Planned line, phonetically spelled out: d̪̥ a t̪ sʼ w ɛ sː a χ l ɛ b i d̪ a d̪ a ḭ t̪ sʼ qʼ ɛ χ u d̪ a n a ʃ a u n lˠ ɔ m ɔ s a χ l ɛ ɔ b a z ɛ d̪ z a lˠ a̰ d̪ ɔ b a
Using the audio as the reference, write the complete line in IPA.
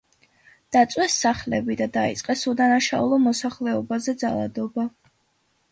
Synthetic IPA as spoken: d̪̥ a t̪ sʼ w ɛ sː a χ l ɛ b i d̪ a d̪ a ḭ t̪ sʼ qʼ ɛ s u d̪ a n a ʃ a u lˠ ɔ m ɔ s a χ l ɛ ɔ b a z ɛ d̪ z a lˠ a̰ d̪ ɔ b a